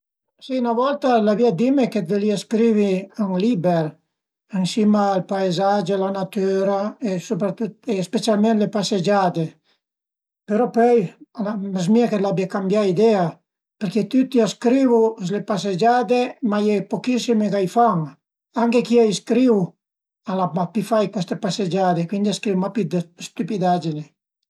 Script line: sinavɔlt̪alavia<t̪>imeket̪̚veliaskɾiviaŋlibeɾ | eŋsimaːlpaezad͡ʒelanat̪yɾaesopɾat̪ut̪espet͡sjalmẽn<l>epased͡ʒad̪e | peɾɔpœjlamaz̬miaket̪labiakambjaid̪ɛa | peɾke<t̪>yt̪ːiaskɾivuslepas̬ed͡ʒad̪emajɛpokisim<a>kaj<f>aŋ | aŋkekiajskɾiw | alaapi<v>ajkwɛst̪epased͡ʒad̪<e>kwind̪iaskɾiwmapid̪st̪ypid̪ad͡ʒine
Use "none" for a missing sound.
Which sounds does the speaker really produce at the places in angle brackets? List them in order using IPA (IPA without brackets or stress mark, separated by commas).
d̪, l, t̪, e, f, f, e